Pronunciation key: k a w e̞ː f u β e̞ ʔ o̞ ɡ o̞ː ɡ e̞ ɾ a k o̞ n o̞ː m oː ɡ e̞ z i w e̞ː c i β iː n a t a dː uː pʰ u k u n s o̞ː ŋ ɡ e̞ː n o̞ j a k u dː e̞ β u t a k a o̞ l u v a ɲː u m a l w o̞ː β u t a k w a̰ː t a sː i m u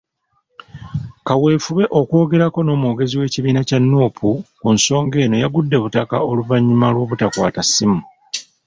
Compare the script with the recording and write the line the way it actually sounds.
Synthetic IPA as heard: k a w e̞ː f u β e̞ ʔ o̞ k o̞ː ɡ e̞ ɾ a k o̞ n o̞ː m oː ɡ e̞ z i w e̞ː c i β iː n a c a nː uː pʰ u k u n s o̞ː ŋ ɡ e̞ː n o̞ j a ɡ u dː e̞ β u t a k a o̞ l u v a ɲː u m a l w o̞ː β u t a k w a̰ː t a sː i m u